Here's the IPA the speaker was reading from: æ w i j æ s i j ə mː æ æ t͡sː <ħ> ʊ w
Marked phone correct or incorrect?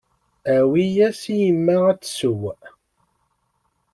incorrect: s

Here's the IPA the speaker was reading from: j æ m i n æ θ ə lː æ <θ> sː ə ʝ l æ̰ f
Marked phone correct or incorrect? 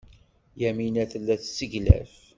correct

